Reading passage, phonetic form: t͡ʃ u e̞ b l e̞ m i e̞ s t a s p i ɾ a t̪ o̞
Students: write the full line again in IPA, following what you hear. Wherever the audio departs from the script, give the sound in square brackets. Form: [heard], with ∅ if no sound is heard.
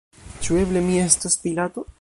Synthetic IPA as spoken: t͡ʃ u e̞ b l e̞ m i e̞ s t a s p i [l] a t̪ o̞